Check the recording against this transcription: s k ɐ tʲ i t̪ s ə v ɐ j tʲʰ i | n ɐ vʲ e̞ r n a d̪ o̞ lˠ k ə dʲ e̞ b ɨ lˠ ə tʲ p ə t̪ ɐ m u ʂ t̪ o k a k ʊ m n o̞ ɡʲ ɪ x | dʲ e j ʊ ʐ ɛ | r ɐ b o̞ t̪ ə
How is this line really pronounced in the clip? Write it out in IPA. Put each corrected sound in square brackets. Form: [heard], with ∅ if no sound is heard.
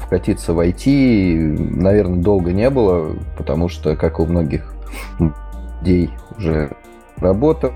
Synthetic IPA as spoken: [f] k ɐ tʲ i t̪ s ə v ɐ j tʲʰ i | n ɐ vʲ e̞ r n [ə] d̪ o̞ lˠ [ɡ] ə [nʲ] e̞ b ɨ lˠ ə [∅] p ə t̪ ɐ m u ʂ t̪ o k a k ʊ m n o̞ ɡʲ ɪ x | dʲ e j ʊ ʐ ɛ | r ɐ b o̞ t̪ ə